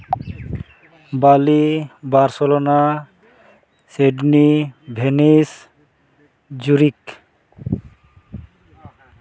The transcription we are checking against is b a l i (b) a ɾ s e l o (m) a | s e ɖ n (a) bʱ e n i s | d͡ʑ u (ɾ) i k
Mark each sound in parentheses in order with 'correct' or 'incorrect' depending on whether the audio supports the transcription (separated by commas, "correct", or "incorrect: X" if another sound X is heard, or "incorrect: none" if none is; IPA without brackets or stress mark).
correct, incorrect: n, incorrect: i, correct